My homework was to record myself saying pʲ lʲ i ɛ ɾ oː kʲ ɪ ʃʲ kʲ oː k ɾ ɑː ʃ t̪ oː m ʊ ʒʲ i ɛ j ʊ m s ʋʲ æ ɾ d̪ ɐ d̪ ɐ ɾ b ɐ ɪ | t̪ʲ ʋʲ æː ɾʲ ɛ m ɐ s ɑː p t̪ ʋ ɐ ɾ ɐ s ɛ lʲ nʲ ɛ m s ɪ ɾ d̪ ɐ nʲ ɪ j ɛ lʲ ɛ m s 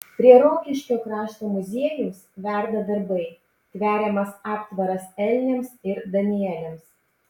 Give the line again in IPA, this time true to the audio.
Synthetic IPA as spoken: pʲ ɾʲ i ɛ ɾ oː kʲ ɪ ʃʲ kʲ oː k ɾ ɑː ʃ t̪ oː m ʊ zʲ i ɛ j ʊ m s ʋʲ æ ɾ d̪ ɐ d̪ ɐ ɾ b ɐ ɪ | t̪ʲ ʋʲ æː ɾʲ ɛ m ɐ s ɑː p t̪ ʋ ɐ ɾ ɐ s ɛ lʲ nʲ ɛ m s ɪ ɾ d̪ ɐ nʲ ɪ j ɛ lʲ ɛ m s